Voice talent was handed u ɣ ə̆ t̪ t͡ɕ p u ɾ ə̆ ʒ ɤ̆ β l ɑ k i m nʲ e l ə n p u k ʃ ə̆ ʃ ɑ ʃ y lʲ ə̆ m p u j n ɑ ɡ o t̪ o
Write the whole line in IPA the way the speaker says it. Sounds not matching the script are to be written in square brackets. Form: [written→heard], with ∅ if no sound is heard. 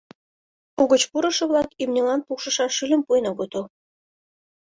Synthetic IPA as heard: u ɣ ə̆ [t̪→∅] t͡ɕ p u ɾ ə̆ [ʒ→ʃ] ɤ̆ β l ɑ k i m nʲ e l [ə→ɑ] n p u k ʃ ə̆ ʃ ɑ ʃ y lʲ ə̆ m p u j n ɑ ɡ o t̪ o